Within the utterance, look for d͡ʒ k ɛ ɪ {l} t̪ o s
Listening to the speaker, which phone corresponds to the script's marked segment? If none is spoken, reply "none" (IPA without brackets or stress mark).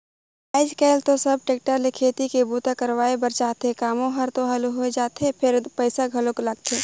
l